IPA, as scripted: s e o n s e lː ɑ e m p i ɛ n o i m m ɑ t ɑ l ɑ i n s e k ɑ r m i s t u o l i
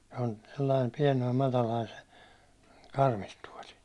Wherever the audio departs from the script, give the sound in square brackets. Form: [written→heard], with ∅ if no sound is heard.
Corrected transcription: s e o n s e lː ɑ [e→i] m p i ɛ n o i m m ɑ t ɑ l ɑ i n s e k ɑ r m i s t u [o→ɒ] l i

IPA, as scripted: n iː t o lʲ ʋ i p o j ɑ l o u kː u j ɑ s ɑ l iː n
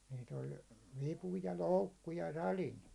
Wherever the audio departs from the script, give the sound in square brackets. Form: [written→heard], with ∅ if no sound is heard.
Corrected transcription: n iː t o lʲ ʋ i p [o→u] j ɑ l o u kː u j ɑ s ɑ l [iː→i] n

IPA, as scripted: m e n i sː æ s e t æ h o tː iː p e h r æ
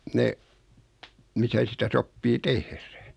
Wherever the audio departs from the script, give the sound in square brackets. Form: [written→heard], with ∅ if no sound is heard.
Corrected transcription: [m→n] e [n→m] i [sː→s] æ s [e→i] t æ [h→s] o [tː→pː] iː [p→t] e h r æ

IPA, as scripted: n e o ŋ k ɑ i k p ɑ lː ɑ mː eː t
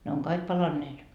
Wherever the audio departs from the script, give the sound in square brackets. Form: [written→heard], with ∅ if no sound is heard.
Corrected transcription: n e o ŋ k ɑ i k p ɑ [lː→l] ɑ [mː→nː] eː t

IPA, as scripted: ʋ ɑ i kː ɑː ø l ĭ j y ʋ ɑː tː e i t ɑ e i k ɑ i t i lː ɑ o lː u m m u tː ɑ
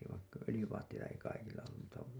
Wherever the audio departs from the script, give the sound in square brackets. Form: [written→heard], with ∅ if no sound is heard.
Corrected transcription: ʋ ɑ i kː [ɑː→ɑ] ø l ĭ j y ʋ ɑː tː e i t ɑ e i k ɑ i [t→k] i lː ɑ o lː u m m u tː ɑ

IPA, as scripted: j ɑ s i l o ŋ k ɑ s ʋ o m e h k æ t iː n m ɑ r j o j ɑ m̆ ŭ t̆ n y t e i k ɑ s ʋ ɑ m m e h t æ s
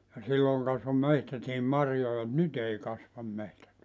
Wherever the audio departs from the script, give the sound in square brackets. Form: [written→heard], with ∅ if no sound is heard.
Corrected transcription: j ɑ s i [l→lː] o ŋ k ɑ s ʋ o m e h [k→t] æ t iː [n→m] m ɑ r j o j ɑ m̆ ŭ t̆ n y t e i k ɑ s ʋ ɑ m m e h t æ [s→t]

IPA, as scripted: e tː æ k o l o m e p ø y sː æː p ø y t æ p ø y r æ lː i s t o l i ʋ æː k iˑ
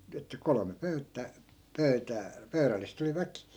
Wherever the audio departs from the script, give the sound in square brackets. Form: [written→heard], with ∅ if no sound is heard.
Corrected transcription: e tː æ k o l o m e p ø y [sː→tː] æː p ø y t [æ→æː] p ø y r æ lː i s t o l i ʋ [æː→æ] k iˑ

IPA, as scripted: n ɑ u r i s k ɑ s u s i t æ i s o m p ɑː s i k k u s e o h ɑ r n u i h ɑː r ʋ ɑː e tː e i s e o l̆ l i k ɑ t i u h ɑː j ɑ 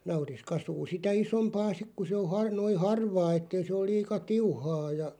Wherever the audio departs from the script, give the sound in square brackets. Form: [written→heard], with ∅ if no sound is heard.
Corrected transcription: n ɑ u r i s k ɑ s [u→uː] s i t æ i s o m p ɑː s i k k u s e o h ɑ r n [u→o] i h [ɑː→ɑ] r ʋ ɑː e tː e i s e o l̆ l [i→iː] k ɑ t i u h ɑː j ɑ

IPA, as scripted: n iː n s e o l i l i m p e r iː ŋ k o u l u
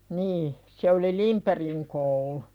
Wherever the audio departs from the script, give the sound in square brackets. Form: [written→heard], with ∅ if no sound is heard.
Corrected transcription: n iː [n→∅] s e o l i l i m p e r [iː→i] ŋ k o u l u

